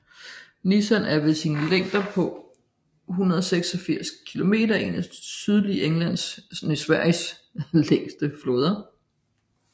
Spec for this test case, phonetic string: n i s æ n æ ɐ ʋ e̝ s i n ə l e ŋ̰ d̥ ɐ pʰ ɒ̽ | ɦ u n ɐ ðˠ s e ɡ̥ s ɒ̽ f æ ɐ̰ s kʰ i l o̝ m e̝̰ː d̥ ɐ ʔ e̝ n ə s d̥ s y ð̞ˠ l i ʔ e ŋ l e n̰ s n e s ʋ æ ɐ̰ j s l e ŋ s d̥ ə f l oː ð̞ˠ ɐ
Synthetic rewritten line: n i s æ n æ ɐ ʋ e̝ s i n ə l e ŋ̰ d̥ ɐ pʰ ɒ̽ | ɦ u n ɐ ðˠ s e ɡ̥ s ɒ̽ f i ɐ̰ s kʰ i l o̝ m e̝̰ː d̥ ɐ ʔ e̝ n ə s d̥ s y ð̞ˠ l i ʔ e ŋ l æ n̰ s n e s ʋ æ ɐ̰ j s l e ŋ s d̥ ə f l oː ð̞ˠ ɐ